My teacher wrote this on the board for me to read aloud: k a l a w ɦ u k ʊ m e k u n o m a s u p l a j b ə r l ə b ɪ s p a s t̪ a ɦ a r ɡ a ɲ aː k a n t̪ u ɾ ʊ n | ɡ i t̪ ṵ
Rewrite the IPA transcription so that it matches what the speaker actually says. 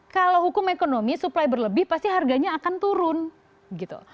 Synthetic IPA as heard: k a l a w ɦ u k ʊ m e k o n o m i s u p l a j b ə r l ə b ɪ h p a s t̪ i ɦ a r ɡ a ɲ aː k a n t̪ u ɾ ʊ n | ɡ i t̪ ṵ